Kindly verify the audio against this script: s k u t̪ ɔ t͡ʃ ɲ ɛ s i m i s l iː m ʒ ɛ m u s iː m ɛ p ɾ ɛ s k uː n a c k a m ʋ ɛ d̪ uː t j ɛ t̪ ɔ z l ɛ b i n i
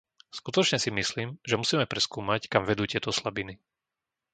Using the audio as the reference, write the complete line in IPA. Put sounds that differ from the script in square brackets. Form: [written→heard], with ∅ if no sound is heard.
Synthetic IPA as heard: s k u t̪ ɔ t͡ʃ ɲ ɛ s i m i s l iː m ʒ ɛ m u s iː m ɛ p ɾ ɛ s k uː [n→m] a c k a m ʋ ɛ d̪ uː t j ɛ t̪ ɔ [z→s] l [ɛ→a] b i n i